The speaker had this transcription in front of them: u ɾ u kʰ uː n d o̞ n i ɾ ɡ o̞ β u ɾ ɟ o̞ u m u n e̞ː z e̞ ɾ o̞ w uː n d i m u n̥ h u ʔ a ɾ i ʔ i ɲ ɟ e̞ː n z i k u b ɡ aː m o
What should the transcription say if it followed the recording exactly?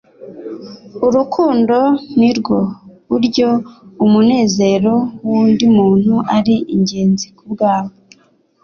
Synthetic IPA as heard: u ɾ u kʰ uː n d o̞ n i ɾ ɡ o̞ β u ɾ ɟ o̞ u m u n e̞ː z e̞ ɾ o̞ w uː n d i m uː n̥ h u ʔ a ɾ i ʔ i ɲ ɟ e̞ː n z i k u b ɡ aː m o

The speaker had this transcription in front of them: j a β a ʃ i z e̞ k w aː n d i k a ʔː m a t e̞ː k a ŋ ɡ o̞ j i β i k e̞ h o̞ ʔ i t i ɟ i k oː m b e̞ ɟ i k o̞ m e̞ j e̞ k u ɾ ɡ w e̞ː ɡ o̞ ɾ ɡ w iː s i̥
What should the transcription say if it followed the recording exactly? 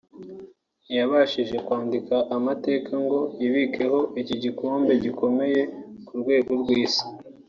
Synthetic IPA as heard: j a β a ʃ i ʒ e̞ k w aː n d i k a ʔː m a t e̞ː k a ŋ ɡ o̞ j i β i k e̞ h o̞ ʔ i c i ɟ i k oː m b e̞ ɟ i k o̞ m e̞ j e̞ k u ɾ ɡ w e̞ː ɡ o̞ ɾ ɡ w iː s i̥

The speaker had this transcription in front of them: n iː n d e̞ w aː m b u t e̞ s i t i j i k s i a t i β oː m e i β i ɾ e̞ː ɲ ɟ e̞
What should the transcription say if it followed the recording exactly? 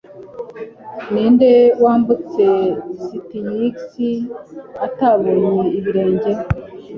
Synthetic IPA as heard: n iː n d e̞ w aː m b u t͡s e̞ s i t i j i k s i a t a β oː ɲ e i β i ɾ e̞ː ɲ ɟ e̞

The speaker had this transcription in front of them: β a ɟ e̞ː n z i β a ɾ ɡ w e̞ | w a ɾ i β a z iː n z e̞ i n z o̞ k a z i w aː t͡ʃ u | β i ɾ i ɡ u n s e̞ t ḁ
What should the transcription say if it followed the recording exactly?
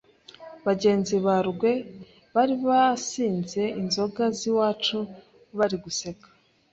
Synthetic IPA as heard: β a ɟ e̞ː n z i β a ɾ ɡ w e̞ | β a ɾ i β a s iː n z e̞ i n z o̞ ɡ a z i w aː t͡ʃ u | β a ɾ i ɡ u s e̞ k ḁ

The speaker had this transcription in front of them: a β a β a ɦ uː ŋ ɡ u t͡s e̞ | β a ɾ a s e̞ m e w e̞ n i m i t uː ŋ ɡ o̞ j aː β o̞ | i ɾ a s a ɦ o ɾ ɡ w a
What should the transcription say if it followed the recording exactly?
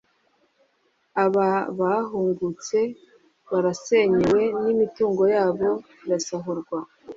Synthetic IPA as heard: a β a β a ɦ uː ŋ ɡ u t͡s e̞ | β a ɾ a s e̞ ɲ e w e̞ n i m i t uː ŋ ɡ o̞ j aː β o̞ | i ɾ a s a ɦ u ɾ ɡ w a

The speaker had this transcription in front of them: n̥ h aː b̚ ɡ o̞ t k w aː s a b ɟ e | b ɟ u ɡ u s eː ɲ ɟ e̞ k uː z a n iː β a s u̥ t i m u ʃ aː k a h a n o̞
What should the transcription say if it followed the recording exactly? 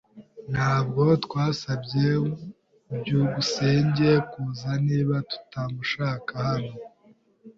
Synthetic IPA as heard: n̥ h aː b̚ ɡ o̞ t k w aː s a b ɟ e | b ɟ u ɡ u s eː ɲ ɟ e̞ k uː z a n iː β a t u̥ t a m u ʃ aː k a h a n o̞

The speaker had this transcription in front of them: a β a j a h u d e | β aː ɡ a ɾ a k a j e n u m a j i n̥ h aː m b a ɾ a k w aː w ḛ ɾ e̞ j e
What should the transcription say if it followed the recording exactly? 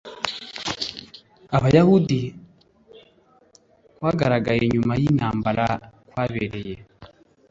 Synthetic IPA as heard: a β a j a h u d i | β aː ɡ a ɾ a ɡ a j e ɲ u m a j i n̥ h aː m b a ɾ a k w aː β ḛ ɾ e̞ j e

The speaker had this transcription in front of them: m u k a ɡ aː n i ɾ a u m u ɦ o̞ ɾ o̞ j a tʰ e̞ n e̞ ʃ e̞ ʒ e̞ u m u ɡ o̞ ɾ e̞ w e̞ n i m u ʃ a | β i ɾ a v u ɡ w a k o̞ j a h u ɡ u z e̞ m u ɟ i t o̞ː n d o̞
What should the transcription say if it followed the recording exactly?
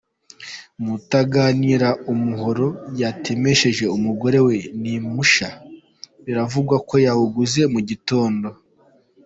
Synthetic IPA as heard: m u t a ɡ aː n i ɾ a u m u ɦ o̞ ɾ o̞ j a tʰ e̞ m e̞ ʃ e̞ ʒ e̞ u m u ɡ o̞ ɾ e̞ w e̞ n i m u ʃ a | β i ɾ a v u ɡ w a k o̞ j a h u ɡ u z e̞ m u ɟ i t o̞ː n d o̞

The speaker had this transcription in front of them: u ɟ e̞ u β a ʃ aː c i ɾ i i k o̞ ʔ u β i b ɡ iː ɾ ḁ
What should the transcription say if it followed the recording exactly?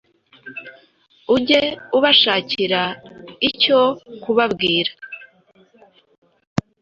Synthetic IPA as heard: u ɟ e̞ u β a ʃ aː c i ɾ a i c o̞ k u β a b ɡ iː ɾ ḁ

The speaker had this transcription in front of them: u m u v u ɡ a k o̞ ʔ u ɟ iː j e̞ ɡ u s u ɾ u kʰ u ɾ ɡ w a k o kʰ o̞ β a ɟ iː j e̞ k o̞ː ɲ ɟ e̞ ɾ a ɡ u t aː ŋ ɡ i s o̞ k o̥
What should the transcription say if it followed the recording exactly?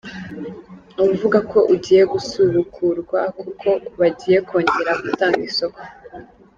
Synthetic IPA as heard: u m u v u ɡ a k o̞ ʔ u ɟ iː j e̞ ɡ u s u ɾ u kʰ u ɾ ɡ w a k u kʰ o̞ β a ɟ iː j e̞ k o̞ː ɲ ɟ e̞ ɾ a ɡ u t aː ŋ ɡ i s o̞ k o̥

